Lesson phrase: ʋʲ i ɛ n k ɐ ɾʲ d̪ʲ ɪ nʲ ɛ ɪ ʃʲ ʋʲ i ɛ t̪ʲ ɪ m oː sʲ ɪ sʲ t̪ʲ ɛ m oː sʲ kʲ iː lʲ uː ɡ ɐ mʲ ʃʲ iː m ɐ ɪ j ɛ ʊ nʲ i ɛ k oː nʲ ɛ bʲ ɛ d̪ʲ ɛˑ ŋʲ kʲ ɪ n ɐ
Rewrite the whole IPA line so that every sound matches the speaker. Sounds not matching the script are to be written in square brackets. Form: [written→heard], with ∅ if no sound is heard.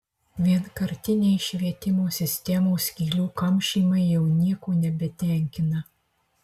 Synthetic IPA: ʋʲ i ɛ n k ɐ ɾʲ [d̪ʲ→t̪ʲ] ɪ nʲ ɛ ɪ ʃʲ ʋʲ i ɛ t̪ʲ ɪ m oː sʲ ɪ sʲ t̪ʲ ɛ m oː sʲ kʲ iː lʲ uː [ɡ→k] ɐ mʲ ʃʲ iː m ɐ ɪ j ɛ ʊ nʲ i ɛ k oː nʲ ɛ bʲ ɛ [d̪ʲ→t̪ʲ] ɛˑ ŋʲ kʲ ɪ n ɐ